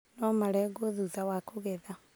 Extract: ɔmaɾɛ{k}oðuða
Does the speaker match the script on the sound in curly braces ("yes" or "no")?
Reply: no